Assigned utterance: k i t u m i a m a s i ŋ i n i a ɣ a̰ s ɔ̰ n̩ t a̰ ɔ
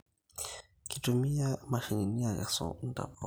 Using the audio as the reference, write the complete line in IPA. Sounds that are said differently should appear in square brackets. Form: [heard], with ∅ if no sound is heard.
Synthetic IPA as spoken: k i t u m i a m a [ʃ] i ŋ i n i a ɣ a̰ s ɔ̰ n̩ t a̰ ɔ